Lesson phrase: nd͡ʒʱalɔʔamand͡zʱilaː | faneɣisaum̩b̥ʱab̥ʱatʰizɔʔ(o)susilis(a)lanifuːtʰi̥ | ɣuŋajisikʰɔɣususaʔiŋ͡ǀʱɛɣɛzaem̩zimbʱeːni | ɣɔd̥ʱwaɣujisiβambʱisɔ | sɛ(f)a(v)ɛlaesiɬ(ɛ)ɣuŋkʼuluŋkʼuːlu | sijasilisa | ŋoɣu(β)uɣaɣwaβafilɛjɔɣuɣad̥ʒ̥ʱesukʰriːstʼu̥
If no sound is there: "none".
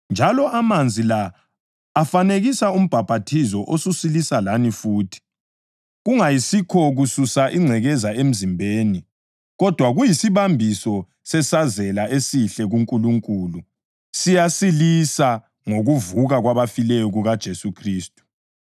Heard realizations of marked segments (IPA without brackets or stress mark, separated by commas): o, a, s, z, ɛ, v